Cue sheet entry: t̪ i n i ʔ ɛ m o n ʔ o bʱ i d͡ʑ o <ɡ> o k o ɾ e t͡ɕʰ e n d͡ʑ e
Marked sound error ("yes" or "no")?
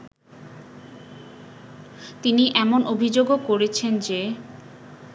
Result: no